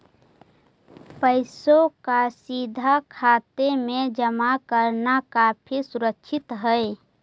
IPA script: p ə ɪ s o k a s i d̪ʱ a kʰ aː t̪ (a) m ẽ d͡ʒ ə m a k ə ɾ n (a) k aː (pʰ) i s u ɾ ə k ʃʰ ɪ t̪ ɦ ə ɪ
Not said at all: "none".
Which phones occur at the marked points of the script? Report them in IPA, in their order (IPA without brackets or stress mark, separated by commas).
e, a, pʰ